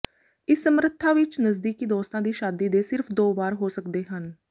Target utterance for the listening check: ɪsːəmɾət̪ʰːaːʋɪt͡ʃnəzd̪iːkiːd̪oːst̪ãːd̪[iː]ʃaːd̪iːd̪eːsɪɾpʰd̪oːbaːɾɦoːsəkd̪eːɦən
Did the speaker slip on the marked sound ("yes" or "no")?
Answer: no